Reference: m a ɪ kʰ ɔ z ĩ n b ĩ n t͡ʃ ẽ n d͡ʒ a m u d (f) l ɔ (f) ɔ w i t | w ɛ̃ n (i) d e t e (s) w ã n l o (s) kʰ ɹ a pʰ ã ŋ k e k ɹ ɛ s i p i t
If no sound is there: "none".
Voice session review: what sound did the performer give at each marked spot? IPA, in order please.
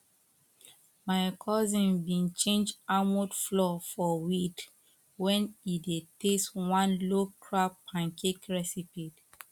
f, f, i, s, none

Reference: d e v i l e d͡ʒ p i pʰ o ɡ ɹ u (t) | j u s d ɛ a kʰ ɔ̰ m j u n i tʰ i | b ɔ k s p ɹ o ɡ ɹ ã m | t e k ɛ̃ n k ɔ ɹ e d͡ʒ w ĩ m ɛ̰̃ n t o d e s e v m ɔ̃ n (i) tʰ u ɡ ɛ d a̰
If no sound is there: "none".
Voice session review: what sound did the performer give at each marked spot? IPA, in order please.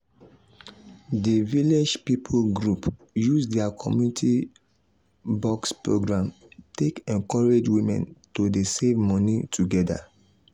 p, i

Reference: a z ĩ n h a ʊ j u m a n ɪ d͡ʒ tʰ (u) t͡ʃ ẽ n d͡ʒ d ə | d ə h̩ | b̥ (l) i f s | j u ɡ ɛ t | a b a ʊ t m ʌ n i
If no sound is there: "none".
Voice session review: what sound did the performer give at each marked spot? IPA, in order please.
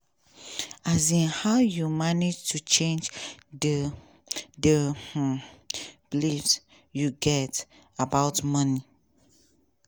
u, l

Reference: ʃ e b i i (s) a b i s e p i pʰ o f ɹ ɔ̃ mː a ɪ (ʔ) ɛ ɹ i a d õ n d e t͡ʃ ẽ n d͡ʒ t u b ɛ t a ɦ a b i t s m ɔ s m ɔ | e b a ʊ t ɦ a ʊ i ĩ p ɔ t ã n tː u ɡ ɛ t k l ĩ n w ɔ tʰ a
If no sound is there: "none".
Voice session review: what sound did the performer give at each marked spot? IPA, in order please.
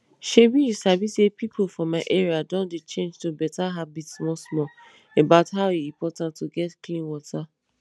s, ʔ

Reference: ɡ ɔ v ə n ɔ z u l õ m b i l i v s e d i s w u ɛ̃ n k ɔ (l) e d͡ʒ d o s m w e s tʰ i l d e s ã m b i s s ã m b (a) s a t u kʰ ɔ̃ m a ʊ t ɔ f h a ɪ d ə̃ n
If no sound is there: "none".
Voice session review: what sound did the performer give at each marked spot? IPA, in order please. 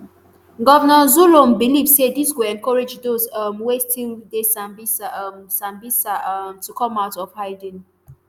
ɹ, i

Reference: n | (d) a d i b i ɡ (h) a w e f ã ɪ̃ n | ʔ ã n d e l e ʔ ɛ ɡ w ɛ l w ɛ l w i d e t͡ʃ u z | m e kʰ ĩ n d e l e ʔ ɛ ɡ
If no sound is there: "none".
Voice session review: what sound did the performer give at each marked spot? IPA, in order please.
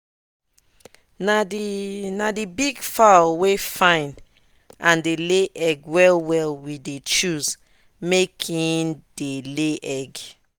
n, f

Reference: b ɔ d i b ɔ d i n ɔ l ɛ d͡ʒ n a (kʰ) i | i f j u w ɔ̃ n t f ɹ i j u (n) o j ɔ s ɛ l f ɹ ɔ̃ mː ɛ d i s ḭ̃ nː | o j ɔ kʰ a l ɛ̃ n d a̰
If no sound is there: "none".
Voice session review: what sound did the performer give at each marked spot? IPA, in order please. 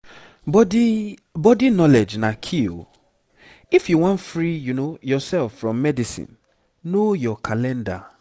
kʰ, n

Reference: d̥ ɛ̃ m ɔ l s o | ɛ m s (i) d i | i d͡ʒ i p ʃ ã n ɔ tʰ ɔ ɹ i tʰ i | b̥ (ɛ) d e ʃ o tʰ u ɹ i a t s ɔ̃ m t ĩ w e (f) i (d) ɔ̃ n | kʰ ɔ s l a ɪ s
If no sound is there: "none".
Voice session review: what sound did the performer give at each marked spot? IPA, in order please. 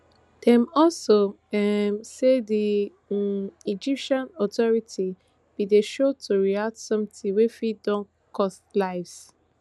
e, i, f, d

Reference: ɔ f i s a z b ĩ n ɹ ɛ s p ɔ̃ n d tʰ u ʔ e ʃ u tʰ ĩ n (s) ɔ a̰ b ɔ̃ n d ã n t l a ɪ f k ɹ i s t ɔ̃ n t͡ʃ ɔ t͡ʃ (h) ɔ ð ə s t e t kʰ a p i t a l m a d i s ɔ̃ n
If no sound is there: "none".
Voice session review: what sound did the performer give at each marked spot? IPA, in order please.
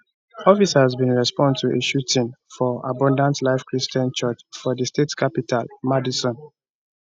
f, f

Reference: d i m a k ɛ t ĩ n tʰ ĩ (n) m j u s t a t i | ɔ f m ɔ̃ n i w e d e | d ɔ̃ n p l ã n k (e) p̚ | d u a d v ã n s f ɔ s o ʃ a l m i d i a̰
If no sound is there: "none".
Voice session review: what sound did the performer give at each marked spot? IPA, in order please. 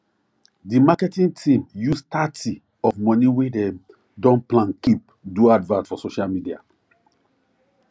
none, i

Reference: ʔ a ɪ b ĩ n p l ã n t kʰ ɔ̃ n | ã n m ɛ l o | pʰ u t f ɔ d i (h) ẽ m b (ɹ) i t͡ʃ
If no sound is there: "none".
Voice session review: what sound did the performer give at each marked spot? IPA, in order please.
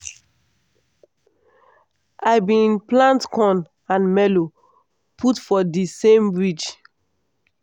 s, ɹ

